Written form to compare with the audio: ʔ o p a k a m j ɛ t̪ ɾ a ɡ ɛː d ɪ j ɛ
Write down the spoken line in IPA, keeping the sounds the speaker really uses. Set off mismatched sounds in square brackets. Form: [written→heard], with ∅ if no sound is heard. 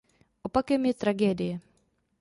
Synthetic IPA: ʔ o p a k [a→ɛ] m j ɛ t̪ ɾ a ɡ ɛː d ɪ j ɛ